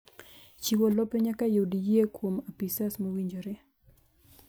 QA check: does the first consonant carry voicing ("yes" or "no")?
no